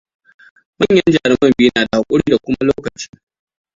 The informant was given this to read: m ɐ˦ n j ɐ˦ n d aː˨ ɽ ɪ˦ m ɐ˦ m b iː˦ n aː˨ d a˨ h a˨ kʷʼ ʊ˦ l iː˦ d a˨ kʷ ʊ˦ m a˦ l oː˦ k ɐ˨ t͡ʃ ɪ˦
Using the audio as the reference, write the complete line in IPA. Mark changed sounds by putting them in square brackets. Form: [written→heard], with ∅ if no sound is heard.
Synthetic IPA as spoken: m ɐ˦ [n→ɲ] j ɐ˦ n [d→d͡ʒ] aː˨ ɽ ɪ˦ m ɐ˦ m b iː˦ n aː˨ d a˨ h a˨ kʷʼ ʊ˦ [l→ɽ] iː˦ d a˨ kʷ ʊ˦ m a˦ l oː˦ k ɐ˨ t͡ʃ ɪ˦